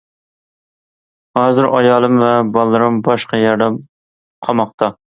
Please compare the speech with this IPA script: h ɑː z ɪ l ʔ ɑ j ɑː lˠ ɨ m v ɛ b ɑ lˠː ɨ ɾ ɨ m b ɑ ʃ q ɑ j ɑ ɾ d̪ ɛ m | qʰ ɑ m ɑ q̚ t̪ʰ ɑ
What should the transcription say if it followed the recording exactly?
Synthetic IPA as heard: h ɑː z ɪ ɾ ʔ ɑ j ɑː lˠ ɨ m v ɛ b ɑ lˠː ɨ ɾ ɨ m b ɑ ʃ q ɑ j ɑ ɾ d̪ ɛ m | qʰ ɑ m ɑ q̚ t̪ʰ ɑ